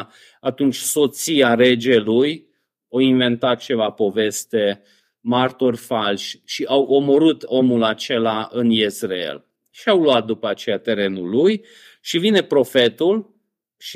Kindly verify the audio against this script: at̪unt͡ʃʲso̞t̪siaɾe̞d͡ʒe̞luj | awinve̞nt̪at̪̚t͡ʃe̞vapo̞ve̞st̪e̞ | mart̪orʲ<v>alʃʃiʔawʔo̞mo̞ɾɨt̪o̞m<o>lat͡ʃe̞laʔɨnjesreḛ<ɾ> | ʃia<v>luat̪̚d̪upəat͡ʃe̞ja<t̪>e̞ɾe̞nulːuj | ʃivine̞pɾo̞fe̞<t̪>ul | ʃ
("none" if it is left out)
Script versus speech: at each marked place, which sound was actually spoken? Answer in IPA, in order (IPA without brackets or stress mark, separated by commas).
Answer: f, u, l, w, t̪, t̪